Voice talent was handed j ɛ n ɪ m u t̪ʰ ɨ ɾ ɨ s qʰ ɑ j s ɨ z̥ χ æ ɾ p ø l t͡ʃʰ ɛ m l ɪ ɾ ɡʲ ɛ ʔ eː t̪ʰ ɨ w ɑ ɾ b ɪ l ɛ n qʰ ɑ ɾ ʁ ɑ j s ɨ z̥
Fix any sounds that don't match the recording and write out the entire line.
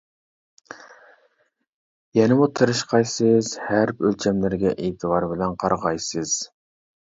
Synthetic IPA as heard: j ɛ n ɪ m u t̪ʰ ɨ ɾ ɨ ʃ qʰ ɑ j s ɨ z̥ h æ ɾ p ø l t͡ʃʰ ɛ m l ɪ ɾ ɡʲ ɛ ʔ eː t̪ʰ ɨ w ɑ ɾ b ɪ l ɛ n qʰ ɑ ɾ ʁ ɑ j s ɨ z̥